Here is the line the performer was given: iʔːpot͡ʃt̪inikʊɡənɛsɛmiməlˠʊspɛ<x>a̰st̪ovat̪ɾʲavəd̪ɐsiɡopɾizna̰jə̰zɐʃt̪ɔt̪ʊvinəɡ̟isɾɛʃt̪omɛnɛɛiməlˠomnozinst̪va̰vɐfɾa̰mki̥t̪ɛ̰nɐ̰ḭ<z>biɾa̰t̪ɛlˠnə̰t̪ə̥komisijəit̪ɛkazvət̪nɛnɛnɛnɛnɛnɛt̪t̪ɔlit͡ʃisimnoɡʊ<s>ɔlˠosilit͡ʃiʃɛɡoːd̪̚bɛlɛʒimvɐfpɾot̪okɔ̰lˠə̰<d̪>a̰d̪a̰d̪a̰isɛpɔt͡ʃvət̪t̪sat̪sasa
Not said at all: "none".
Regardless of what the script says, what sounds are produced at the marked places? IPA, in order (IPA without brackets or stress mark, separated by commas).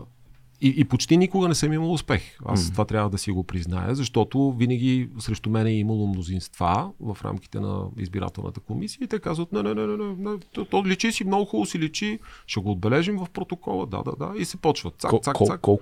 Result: x, z, x, d̪